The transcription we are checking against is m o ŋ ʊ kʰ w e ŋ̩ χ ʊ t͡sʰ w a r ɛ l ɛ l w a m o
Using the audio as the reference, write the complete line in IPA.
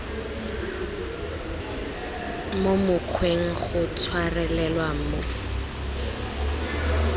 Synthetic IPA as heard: m o m ʊ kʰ w e ŋ̩ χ ʊ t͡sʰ w a r ɛ l ɛ l w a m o